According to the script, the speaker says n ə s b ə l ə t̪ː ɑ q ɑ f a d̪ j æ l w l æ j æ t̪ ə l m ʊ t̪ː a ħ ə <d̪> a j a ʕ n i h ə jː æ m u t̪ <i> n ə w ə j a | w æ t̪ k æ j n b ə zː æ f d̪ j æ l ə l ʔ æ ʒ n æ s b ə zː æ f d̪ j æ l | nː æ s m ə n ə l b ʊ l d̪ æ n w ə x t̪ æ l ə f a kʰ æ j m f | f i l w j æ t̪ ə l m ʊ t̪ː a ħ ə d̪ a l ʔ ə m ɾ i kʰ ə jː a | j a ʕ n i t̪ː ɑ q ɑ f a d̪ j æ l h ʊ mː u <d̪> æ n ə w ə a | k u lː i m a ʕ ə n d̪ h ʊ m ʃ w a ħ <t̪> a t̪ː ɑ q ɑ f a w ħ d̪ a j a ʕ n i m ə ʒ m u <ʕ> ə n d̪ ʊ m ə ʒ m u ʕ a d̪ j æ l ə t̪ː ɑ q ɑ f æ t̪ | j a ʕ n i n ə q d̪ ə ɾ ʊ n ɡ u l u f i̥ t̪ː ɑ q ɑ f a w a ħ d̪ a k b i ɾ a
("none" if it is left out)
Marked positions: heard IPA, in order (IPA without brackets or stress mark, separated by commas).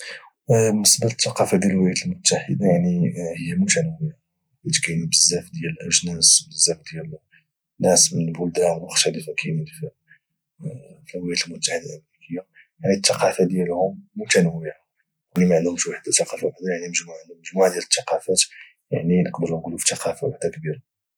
d̪, æ, t̪, d̪, ʕ